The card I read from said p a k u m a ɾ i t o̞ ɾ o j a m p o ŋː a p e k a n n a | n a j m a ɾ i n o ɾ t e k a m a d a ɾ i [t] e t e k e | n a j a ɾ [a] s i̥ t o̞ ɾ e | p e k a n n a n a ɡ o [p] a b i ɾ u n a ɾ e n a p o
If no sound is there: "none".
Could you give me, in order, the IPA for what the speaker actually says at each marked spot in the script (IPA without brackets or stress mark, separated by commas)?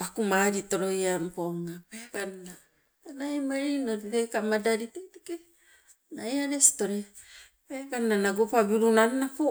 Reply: t, e, p